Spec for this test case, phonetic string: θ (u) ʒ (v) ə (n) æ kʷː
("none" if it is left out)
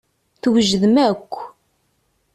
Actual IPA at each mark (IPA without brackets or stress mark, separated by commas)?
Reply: w, ð, m